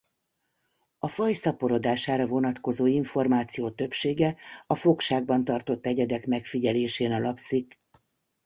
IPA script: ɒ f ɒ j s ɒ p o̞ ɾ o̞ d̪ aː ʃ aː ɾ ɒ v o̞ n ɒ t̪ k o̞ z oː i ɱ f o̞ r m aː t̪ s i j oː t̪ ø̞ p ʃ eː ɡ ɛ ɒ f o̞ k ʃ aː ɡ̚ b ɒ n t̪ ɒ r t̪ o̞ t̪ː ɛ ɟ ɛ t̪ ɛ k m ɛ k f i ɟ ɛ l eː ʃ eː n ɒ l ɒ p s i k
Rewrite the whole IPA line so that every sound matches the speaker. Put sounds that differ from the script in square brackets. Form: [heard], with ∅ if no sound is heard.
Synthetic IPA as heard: ɒ f ɒ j s ɒ p o̞ ɾ o̞ d̪ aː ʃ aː ɾ ɒ v o̞ n ɒ t̪ k o̞ z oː i ɱ f o̞ r m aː t̪ s i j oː t̪ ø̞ p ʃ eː ɡ ɛ ɒ f o̞ k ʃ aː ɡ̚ b ɒ n t̪ ɒ r t̪ o̞ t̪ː ɛ ɟ ɛ [d̪] ɛ k m ɛ k f i ɟ ɛ l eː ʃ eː n ɒ l ɒ p s i k